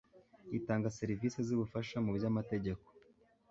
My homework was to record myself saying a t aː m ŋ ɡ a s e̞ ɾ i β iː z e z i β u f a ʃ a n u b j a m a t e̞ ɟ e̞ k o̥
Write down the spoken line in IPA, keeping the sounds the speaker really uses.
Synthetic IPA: i t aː ŋ ɡ a s e̞ ɾ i v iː s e z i β u f a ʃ a m u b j a m a t e̞ ɟ e̞ k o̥